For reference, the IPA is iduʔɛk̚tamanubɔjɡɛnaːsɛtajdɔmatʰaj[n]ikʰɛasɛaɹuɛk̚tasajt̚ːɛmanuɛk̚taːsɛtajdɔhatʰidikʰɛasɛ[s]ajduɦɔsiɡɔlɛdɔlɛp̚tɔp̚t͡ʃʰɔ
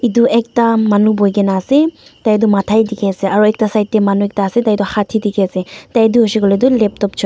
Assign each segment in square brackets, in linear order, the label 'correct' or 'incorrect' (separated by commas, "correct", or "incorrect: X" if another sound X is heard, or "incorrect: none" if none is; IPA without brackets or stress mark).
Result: incorrect: d, incorrect: t